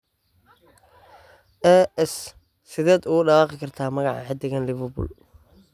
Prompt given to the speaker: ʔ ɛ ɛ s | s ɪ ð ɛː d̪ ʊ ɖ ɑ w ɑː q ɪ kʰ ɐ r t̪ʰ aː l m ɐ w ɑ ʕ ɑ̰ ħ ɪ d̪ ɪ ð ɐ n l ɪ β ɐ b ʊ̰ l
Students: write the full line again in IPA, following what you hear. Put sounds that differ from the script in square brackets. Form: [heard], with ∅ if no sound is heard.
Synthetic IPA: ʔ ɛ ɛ s | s ɪ ð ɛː d̪ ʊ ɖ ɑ w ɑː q ɪ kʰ ɐ r t̪ʰ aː [∅] m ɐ [ɣ] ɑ ʕ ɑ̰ ħ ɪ d̪ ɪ [ɣ] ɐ n l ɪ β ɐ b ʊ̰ l